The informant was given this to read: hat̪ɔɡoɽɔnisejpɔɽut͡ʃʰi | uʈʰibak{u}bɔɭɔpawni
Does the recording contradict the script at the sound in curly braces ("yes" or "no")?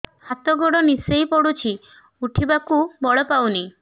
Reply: no